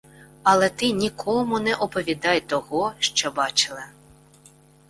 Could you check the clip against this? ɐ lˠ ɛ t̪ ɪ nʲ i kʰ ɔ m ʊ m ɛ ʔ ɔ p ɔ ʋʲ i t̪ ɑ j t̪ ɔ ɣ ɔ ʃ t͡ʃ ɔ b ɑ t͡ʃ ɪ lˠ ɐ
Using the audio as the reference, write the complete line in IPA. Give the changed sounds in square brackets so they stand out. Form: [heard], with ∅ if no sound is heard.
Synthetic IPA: ɐ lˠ ɛ t̪ ɪ nʲ i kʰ ɔ m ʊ [n] ɛ ʔ ɔ p ɔ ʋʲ i [d̪] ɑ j t̪ ɔ ɣ ɔ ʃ t͡ʃ ɔ b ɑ t͡ʃ ɪ lˠ ɐ